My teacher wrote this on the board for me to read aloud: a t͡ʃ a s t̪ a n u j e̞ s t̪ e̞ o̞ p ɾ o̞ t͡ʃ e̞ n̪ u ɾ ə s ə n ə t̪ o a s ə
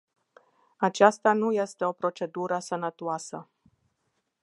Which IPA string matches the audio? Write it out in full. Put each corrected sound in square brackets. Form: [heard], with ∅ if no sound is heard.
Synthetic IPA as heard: a t͡ʃ a s t̪ a n u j e̞ s t̪ e̞ o̞ p ɾ o̞ t͡ʃ e̞ [d̪] u ɾ ə s ə n ə t̪ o a s ə